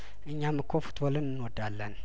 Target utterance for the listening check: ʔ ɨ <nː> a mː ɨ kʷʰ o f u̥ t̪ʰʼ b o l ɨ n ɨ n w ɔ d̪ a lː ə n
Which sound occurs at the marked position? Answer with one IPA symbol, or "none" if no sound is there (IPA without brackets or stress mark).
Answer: ɲː